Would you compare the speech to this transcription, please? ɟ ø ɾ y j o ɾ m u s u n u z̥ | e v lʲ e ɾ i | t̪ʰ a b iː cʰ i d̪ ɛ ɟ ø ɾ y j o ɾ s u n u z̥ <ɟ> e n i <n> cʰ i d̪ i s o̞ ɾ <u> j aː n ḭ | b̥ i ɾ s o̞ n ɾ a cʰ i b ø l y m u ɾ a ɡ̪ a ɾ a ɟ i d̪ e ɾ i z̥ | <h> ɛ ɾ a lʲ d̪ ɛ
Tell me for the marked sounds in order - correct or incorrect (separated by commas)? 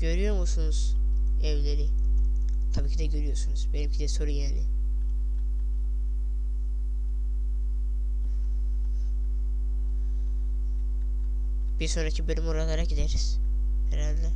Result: incorrect, incorrect, correct, correct